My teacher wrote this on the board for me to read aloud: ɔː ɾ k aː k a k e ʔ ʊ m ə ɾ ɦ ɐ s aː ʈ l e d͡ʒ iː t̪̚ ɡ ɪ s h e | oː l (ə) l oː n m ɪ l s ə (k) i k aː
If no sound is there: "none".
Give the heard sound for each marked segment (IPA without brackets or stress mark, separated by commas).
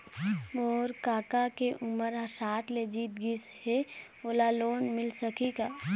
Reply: a, k